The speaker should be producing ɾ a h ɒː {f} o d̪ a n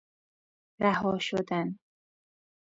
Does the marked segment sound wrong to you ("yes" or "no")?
yes